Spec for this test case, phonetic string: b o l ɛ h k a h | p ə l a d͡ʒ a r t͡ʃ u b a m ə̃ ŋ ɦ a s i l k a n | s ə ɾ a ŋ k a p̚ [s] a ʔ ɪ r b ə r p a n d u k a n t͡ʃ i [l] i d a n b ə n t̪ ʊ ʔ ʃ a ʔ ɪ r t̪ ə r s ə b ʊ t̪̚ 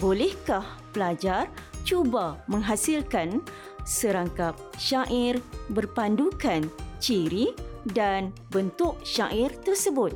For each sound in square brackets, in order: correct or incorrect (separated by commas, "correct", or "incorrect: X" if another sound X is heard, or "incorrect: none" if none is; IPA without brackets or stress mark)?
incorrect: ʃ, incorrect: ɾ